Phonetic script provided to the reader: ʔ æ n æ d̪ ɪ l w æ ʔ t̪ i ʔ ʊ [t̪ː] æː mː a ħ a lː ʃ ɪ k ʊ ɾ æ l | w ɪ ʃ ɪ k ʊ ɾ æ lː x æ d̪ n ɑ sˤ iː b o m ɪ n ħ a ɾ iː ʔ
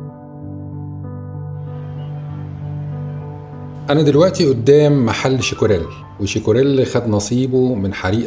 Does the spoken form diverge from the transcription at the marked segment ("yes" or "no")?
yes